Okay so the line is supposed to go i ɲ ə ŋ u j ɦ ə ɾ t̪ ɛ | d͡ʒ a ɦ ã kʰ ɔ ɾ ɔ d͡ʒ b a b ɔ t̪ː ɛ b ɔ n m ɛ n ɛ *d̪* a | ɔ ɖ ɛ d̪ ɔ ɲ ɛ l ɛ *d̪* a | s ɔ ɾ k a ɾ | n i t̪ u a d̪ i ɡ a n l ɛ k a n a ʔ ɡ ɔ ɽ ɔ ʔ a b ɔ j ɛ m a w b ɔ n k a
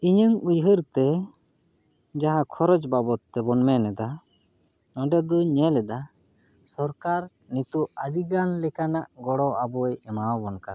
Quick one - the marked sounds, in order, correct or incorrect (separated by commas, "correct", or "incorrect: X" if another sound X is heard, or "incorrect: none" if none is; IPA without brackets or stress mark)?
correct, correct